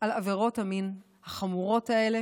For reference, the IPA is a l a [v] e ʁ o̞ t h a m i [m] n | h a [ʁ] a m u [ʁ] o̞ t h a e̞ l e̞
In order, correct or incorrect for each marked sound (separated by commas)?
correct, incorrect, incorrect, correct